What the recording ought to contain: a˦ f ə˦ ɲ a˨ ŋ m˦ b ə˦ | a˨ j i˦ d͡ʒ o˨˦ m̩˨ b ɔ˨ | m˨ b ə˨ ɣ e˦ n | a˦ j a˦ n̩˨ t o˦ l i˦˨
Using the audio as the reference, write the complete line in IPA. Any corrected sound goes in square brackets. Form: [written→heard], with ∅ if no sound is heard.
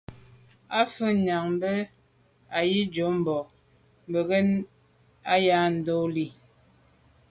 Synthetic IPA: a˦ f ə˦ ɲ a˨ ŋ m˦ b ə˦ | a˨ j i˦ d͡ʒ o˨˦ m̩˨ b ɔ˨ | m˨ b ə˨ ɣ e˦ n | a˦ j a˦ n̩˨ [t→d] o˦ l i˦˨